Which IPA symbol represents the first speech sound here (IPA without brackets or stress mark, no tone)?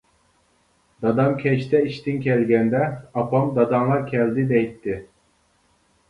d̪